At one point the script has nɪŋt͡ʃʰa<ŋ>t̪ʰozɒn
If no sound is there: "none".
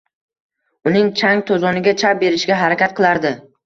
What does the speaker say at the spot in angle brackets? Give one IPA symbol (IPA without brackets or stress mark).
ŋ